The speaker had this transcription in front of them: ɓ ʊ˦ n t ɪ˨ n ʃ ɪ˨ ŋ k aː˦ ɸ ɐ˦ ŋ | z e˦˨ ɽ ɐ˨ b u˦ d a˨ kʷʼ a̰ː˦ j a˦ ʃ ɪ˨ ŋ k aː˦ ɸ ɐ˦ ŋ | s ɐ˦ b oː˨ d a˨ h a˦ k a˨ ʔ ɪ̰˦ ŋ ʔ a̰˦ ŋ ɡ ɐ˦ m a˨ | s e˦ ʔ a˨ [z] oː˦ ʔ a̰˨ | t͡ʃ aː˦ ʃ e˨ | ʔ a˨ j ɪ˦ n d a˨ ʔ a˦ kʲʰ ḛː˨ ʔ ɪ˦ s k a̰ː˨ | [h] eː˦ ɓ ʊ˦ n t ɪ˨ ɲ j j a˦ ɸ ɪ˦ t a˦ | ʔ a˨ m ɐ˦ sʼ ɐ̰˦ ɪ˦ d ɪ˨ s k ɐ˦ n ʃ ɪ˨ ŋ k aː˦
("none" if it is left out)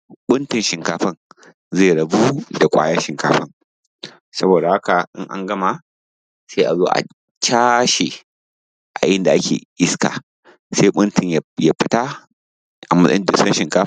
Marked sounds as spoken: z, s

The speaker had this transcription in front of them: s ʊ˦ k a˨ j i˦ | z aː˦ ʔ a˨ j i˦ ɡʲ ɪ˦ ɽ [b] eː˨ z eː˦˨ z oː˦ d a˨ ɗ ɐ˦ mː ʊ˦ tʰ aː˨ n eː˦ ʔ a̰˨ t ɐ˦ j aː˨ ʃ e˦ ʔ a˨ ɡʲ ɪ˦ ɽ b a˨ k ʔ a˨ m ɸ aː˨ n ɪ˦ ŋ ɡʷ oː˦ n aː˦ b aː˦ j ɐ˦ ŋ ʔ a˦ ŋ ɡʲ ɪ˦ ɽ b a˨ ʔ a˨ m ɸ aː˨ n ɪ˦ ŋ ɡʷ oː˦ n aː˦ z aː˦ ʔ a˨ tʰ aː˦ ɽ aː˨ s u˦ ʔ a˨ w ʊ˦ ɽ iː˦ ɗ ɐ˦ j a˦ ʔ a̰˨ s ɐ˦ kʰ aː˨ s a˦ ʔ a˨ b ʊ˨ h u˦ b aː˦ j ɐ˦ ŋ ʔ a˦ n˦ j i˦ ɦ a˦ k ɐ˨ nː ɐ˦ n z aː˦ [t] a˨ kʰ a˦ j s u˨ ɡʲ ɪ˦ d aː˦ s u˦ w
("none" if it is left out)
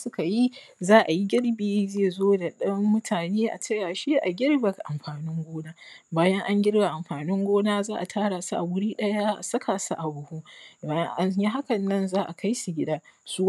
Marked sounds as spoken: b, ʔ

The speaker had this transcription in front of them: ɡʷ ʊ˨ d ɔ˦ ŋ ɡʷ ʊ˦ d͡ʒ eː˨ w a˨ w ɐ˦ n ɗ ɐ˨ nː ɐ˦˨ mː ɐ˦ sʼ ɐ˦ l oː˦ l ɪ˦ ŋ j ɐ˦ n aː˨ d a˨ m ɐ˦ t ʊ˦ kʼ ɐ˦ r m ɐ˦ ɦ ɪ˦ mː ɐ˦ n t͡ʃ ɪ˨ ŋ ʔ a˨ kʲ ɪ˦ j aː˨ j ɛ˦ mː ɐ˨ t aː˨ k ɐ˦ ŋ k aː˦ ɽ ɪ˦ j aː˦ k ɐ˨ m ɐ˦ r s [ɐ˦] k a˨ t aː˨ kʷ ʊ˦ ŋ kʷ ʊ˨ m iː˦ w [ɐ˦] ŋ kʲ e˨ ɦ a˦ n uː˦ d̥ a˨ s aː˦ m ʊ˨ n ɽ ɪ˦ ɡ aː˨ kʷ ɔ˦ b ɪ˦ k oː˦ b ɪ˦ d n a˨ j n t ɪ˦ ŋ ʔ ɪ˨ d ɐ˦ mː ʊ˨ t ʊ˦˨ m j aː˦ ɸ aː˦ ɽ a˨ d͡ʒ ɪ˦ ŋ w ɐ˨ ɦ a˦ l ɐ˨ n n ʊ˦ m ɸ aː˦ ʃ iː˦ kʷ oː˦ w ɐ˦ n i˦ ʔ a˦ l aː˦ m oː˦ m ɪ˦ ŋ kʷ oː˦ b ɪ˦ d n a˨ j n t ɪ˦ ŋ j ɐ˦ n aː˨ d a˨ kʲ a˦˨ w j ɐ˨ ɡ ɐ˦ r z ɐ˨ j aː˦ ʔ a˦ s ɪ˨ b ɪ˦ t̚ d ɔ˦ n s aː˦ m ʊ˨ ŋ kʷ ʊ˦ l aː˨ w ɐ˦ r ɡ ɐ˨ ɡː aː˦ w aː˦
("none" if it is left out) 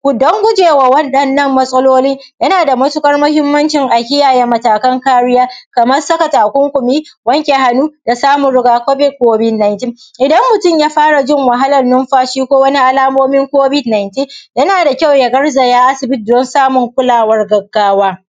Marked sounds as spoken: ɐ˦, ɐ˦

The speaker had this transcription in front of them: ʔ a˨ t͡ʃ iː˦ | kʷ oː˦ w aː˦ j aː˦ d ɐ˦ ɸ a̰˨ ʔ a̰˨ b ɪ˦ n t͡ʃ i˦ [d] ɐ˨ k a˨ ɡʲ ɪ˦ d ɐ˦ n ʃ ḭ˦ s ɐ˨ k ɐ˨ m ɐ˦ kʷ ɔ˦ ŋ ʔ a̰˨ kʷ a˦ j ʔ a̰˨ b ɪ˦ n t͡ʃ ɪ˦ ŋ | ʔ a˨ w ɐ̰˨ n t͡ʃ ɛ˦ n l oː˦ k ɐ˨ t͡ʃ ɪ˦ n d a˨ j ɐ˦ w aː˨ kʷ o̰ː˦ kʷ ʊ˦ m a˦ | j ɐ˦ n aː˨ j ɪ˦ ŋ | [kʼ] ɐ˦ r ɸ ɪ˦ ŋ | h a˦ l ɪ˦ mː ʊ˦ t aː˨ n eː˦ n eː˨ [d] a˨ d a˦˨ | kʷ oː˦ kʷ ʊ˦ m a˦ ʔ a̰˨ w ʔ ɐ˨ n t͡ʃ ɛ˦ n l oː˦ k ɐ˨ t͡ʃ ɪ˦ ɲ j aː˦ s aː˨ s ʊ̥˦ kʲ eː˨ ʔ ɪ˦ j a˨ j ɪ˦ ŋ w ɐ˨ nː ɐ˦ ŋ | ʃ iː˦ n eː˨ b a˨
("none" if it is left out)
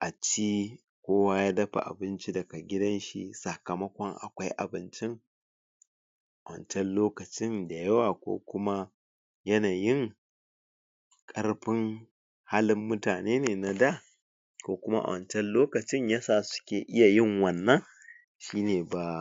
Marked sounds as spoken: d, kʼ, n

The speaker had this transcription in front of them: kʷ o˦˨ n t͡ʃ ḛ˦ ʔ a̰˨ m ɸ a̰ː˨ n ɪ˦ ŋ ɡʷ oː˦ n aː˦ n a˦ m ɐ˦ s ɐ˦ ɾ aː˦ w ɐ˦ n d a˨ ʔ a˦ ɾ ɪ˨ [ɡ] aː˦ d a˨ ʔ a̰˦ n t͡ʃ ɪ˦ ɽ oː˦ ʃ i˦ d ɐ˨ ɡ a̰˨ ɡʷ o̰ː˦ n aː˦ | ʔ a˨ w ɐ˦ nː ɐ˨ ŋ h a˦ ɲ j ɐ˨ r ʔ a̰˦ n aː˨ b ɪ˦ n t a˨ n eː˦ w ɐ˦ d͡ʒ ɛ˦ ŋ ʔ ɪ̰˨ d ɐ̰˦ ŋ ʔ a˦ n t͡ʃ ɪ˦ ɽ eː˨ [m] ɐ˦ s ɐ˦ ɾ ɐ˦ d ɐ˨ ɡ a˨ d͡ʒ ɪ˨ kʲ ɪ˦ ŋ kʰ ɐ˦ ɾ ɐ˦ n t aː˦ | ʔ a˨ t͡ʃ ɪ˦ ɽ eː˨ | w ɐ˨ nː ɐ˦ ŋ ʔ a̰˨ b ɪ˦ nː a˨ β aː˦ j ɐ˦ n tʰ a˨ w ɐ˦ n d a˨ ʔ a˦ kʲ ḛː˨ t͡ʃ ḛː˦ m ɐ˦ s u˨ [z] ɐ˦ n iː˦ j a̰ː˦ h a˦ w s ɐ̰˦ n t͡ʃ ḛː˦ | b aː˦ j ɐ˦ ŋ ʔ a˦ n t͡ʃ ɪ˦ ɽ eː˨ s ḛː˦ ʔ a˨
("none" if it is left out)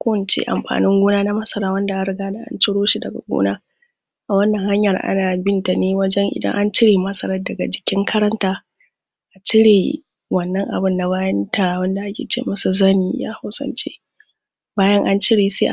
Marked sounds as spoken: ɡ, m, z

